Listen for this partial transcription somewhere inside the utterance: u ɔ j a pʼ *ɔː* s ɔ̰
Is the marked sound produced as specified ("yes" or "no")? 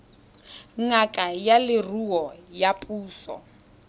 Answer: no